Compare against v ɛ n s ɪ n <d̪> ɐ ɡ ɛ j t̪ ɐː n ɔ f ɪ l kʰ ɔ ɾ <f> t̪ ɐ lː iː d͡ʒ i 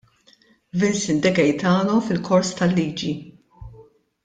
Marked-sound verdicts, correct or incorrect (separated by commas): correct, incorrect